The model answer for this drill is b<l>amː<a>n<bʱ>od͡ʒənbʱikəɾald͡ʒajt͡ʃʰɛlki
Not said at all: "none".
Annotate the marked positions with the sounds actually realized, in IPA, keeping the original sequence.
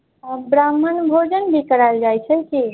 ɾ, ə, bʱ

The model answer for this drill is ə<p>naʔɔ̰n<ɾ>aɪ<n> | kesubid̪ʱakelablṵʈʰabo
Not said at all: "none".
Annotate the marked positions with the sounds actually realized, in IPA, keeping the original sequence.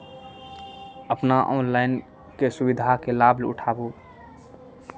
p, l, n

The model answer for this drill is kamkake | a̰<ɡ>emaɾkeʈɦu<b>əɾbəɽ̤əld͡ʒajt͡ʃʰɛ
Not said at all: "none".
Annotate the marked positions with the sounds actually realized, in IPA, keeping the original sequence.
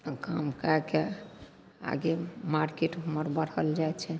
ɡ, m

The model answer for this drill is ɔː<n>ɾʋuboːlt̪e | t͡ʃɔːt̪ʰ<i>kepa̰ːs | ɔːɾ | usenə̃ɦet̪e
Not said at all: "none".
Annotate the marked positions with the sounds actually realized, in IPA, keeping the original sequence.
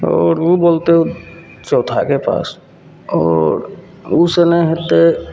none, a

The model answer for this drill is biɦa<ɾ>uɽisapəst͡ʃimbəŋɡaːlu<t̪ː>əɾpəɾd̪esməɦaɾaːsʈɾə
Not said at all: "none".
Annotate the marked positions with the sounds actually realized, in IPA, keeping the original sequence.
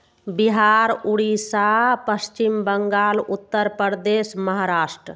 ɾ, t̪ː

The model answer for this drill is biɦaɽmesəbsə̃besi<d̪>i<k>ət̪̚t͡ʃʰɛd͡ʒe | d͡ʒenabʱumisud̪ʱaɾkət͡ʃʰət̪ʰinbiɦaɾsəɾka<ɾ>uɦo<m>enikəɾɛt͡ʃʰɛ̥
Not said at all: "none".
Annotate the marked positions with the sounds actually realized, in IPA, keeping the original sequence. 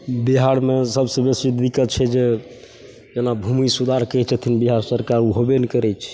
d̪, k, ɾ, b

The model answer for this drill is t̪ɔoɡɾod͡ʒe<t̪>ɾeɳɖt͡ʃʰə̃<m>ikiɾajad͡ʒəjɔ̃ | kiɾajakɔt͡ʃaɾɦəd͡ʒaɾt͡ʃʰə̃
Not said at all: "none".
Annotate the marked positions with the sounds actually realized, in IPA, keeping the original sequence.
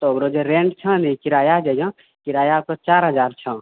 none, n

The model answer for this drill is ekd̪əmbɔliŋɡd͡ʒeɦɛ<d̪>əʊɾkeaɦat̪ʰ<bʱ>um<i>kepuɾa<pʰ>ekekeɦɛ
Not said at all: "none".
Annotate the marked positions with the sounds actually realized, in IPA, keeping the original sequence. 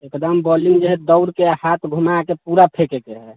d̪, ɡʱ, a, pʰ

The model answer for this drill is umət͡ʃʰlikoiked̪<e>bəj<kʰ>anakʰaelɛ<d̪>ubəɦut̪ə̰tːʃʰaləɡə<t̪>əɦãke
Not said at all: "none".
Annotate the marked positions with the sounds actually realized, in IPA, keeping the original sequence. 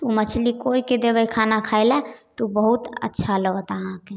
e, kʰ, t̪, t̪

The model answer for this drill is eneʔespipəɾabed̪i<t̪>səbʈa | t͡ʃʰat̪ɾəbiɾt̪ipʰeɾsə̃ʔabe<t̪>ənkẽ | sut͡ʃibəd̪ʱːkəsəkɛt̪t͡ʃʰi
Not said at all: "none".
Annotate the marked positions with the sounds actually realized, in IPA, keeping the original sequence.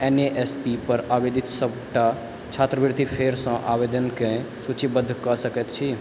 t̪, d̪

